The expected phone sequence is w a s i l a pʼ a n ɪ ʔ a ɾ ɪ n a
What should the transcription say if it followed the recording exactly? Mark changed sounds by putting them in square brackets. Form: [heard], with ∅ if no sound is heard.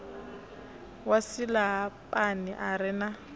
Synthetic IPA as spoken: w a s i l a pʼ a n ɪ ʔ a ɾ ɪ n a

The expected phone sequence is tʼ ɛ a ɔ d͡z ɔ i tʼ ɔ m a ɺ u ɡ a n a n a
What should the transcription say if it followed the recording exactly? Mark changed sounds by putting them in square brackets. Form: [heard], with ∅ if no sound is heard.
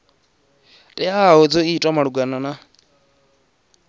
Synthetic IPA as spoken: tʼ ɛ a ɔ d͡z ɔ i tʼ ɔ m a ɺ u ɡ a n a n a

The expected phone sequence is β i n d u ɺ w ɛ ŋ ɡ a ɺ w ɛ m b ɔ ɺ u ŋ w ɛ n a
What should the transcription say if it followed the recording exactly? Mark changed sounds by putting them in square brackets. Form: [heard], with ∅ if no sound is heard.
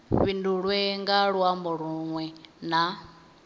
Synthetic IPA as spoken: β i n d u ɺ w ɛ ŋ ɡ a ɺ w [a] m b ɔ ɺ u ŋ w ɛ n a

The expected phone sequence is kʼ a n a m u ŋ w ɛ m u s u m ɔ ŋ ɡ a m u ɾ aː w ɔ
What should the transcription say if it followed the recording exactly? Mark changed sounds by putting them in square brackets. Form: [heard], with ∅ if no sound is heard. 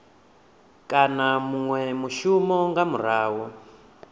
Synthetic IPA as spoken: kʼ a n a m u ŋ w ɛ m u [ʃ] u m ɔ ŋ ɡ a m u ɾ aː w ɔ

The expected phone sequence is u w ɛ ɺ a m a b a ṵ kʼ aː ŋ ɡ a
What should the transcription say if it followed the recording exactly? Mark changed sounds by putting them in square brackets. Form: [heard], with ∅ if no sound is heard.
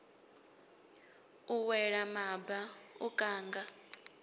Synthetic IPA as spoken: u w ɛ ɺ a m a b a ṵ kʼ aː ŋ ɡ a

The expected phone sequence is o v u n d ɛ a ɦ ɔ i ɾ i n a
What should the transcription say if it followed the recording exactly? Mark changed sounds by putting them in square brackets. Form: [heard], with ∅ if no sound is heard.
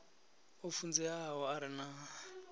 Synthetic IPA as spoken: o [f] u n [d͡z] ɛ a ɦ ɔ [a] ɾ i n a

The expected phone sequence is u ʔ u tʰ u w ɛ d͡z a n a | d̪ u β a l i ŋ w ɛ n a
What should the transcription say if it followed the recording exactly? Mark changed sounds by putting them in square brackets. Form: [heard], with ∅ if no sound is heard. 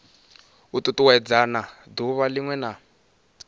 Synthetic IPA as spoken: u [t] u [t] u w ɛ d͡z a n a | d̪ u β a l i ŋ w ɛ n a

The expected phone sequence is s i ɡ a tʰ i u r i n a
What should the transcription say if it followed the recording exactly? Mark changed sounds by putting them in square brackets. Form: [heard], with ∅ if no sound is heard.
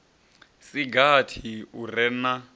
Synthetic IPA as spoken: s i ɡ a tʰ i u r [ɛ] n a

